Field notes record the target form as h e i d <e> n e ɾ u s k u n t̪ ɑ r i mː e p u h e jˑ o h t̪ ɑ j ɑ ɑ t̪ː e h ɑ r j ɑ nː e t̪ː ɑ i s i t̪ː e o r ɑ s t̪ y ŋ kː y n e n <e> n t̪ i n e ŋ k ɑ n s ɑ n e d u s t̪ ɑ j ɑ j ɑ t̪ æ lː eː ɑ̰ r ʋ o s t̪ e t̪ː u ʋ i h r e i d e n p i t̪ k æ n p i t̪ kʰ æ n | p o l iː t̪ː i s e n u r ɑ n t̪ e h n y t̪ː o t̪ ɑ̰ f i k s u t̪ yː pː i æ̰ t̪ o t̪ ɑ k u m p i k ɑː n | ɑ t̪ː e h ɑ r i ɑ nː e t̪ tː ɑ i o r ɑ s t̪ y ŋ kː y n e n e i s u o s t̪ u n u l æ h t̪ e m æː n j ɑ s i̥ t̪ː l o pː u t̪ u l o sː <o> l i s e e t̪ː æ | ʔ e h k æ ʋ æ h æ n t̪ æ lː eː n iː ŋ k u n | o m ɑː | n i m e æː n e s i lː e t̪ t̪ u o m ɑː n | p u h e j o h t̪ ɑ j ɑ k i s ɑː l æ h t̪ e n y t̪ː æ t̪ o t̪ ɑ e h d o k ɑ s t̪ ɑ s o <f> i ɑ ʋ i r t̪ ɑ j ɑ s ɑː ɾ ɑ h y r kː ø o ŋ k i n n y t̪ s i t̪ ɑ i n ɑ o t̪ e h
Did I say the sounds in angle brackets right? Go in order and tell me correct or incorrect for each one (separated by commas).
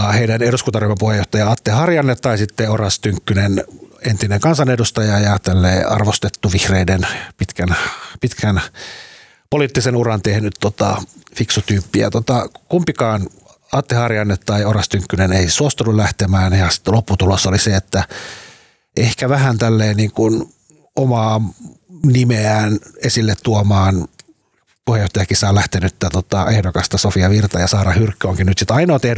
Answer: incorrect, correct, correct, correct